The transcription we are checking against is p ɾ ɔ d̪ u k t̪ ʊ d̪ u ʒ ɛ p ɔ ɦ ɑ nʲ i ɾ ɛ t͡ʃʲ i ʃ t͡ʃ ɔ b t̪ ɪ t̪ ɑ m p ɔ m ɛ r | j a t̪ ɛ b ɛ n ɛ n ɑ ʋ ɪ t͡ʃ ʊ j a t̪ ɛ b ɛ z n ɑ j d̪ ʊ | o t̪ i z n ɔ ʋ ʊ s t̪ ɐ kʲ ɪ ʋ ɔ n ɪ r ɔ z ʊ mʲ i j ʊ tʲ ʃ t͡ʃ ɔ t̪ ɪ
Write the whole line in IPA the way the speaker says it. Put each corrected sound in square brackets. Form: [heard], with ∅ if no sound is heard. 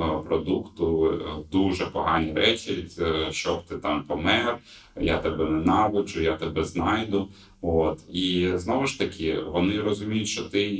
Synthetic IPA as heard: p ɾ ɔ d̪ u k t̪ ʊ d̪ u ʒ ɛ p ɔ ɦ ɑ nʲ i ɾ ɛ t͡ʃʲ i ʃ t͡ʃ ɔ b t̪ ɪ t̪ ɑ m p ɔ m ɛ r | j a t̪ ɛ b ɛ n ɛ n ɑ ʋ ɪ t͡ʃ ʊ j a t̪ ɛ b ɛ z n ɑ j d̪ ʊ | o t̪ i z n ɔ ʋ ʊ [ʃ] t̪ ɐ kʲ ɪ ʋ ɔ n ɪ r ɔ z ʊ mʲ i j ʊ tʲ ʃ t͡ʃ ɔ t̪ ɪ